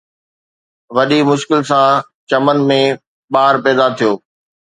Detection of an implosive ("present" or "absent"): present